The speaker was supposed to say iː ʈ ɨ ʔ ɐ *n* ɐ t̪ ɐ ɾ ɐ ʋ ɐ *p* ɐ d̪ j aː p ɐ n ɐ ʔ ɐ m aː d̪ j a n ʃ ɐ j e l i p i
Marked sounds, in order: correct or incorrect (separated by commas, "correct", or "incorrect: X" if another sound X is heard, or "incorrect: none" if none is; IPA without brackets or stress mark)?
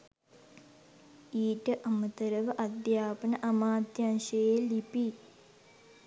incorrect: m, incorrect: ʔ